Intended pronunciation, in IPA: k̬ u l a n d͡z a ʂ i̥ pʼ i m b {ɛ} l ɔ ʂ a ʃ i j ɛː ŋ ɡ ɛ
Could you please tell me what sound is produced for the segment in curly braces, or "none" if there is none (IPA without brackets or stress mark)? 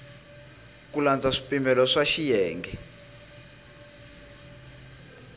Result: ɛ